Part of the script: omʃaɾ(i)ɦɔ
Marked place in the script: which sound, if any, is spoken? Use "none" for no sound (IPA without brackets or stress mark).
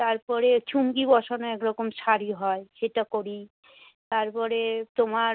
i